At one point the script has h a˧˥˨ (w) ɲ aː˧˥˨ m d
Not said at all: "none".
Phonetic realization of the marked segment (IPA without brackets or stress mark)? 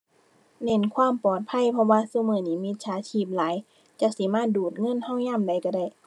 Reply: w